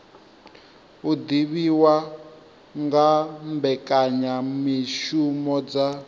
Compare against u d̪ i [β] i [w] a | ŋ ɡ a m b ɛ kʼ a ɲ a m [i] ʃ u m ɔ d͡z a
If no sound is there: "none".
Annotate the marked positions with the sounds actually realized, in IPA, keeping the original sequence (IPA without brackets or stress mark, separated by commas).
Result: β, w, i